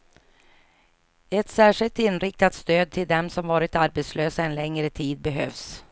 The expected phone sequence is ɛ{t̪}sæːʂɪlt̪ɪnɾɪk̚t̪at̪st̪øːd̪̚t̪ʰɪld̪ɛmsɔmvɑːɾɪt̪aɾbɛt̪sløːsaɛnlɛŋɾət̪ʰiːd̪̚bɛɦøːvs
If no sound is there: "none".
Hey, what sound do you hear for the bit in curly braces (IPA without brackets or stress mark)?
t̪